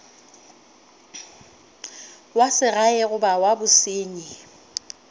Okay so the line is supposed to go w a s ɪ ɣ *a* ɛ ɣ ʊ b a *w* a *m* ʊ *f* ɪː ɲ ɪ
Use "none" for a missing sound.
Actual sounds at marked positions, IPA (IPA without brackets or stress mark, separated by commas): a, w, b, s